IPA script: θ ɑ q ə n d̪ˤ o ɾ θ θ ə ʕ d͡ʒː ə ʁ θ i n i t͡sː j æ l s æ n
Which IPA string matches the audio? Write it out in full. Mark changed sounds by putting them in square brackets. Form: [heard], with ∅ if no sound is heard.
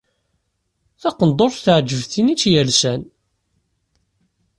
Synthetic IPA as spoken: θ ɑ q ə n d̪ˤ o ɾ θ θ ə ʕ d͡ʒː ə [v] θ i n i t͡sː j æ l s æ n